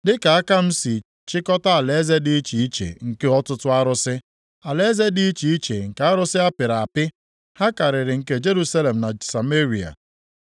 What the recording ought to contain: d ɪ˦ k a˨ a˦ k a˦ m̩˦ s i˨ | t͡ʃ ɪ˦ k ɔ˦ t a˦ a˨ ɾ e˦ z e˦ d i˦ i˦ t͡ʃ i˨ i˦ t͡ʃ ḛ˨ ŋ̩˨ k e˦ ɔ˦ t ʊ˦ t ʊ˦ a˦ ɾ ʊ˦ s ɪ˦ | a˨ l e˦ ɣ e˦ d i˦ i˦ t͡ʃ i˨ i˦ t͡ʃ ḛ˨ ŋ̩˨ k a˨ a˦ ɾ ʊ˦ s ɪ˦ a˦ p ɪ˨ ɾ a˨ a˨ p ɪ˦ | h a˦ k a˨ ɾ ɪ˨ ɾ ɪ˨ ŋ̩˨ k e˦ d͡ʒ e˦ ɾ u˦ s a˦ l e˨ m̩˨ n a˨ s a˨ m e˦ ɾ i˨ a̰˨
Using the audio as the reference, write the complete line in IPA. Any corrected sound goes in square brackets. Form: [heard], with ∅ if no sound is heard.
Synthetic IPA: d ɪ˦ k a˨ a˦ k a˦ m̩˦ s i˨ | t͡ʃ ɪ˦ k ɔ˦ t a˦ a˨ [l] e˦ z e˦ d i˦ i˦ t͡ʃ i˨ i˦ t͡ʃ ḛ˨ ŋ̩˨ k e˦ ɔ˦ t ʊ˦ t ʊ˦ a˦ ɾ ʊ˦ s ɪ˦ | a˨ l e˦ [z] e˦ d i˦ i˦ t͡ʃ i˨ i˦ t͡ʃ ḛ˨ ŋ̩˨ k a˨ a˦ ɾ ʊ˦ s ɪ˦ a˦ p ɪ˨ ɾ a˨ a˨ p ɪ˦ | h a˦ k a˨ ɾ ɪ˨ ɾ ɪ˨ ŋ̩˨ k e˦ d͡ʒ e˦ ɾ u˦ s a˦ l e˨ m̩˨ n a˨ s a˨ m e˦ ɾ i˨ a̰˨